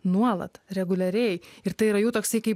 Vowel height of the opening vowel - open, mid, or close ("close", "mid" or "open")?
close